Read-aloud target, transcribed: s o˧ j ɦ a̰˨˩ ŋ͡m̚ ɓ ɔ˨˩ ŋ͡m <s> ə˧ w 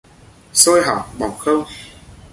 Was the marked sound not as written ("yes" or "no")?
yes